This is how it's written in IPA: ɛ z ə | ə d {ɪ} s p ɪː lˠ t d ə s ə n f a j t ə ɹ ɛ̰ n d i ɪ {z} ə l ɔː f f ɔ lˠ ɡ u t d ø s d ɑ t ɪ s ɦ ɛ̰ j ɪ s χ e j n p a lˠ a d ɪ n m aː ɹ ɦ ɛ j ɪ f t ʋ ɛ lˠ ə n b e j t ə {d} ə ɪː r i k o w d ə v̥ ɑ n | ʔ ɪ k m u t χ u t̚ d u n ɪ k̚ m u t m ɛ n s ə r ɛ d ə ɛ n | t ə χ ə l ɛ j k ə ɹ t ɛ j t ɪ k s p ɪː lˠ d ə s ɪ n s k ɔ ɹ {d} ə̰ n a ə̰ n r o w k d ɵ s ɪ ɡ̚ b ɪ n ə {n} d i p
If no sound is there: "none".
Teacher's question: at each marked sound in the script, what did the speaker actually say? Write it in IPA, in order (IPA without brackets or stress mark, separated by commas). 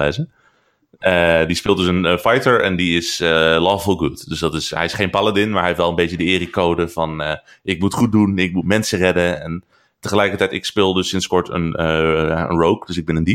i, s, d, t, n